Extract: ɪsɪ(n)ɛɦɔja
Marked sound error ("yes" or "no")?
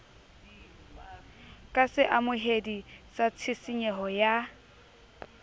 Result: yes